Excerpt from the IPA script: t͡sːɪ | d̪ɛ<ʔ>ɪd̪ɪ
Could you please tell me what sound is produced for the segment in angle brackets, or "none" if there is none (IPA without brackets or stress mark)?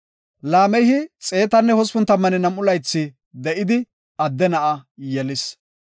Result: ʔ